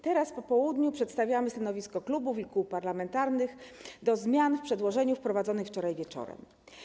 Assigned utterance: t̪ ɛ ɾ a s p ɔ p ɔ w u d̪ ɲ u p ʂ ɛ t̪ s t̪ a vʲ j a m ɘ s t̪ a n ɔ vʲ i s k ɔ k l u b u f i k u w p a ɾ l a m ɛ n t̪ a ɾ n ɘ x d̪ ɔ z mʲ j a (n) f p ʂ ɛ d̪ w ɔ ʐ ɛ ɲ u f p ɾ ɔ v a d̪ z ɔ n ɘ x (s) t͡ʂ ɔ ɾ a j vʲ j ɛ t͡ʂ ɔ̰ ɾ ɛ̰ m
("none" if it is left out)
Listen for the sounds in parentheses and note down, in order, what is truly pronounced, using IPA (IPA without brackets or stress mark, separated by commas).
n, f